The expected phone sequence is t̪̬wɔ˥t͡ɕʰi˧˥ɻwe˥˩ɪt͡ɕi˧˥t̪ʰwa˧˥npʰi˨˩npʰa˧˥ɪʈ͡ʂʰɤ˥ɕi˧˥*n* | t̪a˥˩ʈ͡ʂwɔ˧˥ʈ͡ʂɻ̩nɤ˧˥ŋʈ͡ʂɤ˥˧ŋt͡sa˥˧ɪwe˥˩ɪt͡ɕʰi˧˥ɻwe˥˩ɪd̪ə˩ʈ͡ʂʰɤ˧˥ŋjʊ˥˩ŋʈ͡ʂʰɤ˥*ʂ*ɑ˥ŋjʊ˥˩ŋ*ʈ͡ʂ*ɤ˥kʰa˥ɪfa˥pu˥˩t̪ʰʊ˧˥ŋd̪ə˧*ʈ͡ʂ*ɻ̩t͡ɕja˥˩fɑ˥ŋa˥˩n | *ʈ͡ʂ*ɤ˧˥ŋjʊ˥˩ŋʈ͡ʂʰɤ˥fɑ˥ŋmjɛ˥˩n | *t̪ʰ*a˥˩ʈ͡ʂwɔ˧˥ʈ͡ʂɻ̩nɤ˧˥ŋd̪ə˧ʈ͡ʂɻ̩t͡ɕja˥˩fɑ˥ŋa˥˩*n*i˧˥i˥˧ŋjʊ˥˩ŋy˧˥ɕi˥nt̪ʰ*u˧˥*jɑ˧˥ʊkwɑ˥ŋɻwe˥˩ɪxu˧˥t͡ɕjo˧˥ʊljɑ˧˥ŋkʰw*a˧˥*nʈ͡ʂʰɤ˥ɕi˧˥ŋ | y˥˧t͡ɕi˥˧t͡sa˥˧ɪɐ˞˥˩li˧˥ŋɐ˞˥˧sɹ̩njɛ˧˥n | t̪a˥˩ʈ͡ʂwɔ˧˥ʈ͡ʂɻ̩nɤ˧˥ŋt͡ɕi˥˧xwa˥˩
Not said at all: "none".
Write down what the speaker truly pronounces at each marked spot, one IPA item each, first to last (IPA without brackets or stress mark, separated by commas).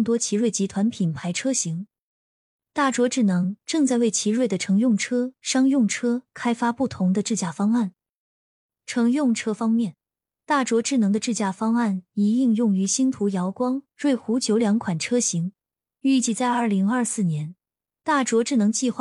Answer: ŋ, ʂ, ʈ͡ʂʰ, ʈ͡ʂ, ʈ͡ʂʰ, t̪, n, u˧˥, a˨˩